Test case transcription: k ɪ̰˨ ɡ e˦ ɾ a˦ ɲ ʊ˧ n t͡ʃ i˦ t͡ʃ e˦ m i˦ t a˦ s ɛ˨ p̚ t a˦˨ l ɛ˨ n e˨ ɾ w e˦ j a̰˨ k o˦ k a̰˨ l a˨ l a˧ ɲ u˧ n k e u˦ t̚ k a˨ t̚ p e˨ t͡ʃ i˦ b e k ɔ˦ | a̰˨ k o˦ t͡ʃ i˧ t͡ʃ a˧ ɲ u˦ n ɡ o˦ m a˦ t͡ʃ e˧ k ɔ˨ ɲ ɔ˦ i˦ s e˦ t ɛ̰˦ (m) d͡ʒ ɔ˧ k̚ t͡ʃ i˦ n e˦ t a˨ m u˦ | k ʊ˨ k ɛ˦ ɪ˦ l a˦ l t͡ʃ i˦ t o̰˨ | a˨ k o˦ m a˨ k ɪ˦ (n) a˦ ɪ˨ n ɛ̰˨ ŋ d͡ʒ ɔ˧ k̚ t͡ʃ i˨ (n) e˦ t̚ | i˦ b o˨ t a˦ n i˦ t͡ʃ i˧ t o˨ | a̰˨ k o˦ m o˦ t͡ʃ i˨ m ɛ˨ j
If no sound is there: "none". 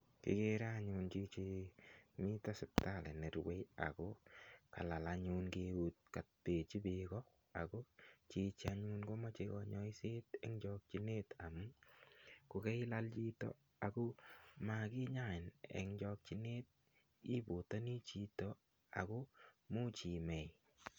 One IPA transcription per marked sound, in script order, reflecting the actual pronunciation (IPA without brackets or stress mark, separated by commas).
ŋ, ɲ, n